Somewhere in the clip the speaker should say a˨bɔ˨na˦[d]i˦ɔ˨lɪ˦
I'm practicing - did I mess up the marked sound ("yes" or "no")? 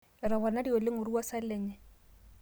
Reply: no